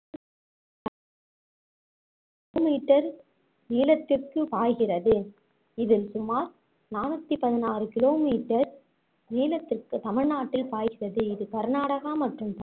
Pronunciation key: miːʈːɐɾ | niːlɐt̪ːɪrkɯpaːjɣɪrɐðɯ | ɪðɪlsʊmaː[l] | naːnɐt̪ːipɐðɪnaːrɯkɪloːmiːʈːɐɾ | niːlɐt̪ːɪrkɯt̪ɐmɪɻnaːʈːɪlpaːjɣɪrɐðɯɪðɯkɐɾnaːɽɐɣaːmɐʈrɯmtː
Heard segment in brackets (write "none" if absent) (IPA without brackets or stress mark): ɾ